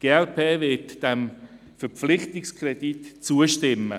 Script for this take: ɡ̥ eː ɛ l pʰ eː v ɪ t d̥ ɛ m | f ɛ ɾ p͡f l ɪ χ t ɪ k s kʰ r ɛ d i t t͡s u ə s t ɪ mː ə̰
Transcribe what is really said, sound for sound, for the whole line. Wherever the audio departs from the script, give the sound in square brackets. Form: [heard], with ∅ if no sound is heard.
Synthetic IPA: ɡ̥ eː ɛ l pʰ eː v ɪ t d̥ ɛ m | f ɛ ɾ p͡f l ɪ χ t ɪ k s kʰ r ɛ d i t t͡s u ə [ʃ] t ɪ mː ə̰